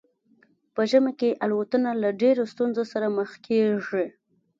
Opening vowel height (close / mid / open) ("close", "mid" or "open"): mid